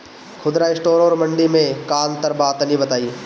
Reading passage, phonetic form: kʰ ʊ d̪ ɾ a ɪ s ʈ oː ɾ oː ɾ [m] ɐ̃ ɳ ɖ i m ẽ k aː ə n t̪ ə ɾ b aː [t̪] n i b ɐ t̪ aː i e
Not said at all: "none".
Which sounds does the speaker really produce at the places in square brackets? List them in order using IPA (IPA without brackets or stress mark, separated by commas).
m, t̪